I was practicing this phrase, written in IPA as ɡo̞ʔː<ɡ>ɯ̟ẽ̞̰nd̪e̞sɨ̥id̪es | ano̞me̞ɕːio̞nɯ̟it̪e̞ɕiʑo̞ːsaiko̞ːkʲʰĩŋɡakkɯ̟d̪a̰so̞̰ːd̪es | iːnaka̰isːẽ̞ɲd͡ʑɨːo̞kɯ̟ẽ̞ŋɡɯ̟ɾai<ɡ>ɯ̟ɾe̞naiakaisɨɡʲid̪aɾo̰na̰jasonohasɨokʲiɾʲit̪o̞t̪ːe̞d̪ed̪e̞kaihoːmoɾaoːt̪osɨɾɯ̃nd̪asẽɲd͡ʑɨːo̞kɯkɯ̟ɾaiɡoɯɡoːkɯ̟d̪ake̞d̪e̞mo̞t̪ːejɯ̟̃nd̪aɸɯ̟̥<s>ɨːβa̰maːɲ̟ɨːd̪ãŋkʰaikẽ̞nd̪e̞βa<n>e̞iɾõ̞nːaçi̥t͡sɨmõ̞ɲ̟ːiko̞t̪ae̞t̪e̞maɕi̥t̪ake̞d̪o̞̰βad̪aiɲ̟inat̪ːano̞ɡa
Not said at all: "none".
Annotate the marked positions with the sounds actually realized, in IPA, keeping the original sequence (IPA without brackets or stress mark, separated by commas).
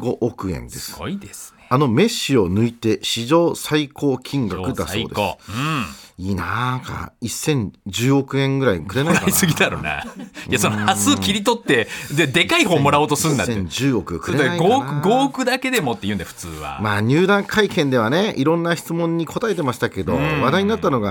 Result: k, k, t͡s, n